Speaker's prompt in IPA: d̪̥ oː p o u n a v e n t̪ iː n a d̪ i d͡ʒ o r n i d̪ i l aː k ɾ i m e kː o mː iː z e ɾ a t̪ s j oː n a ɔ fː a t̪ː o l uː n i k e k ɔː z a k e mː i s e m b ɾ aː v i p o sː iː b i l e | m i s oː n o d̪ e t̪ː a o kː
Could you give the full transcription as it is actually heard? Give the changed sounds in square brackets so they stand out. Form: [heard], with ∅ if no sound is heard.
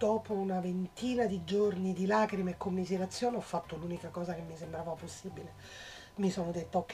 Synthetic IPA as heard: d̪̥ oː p o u n a v e n t̪ iː n a d̪ i d͡ʒ o r n i d̪ i l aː k ɾ i m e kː o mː [i] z e ɾ a t̪ [sː] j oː n [e] ɔ fː a t̪ː o l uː n i k [a] k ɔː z a k e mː i s e m b ɾ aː v [a] p o sː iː b i l e | m i s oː n o d̪ e t̪ː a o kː